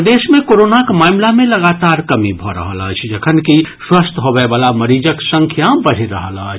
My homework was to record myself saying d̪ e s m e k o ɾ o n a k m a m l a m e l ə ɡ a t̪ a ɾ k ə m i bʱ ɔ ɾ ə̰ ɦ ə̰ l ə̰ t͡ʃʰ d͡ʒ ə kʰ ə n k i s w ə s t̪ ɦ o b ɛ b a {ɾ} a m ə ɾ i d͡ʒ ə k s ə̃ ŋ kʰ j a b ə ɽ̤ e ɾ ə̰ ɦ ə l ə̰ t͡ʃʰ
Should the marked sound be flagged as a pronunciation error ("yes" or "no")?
yes